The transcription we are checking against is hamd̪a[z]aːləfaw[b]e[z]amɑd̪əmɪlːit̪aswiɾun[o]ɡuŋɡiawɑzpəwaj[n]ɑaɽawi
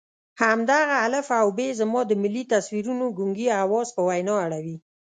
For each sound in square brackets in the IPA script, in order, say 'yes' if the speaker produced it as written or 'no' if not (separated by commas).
no, yes, yes, yes, yes